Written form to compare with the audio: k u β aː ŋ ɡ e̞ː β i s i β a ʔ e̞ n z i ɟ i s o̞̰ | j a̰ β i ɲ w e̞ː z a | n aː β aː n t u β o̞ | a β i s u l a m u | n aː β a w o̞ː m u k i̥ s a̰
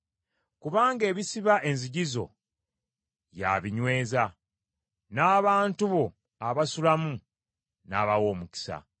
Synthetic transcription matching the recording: k u β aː ŋ ɡ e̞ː β i s i β a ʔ e̞ n z i ɟ i z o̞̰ | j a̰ β i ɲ w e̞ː z a | n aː β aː n t u β o̞ | a β a s u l a m u | n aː β a w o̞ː m u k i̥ s a̰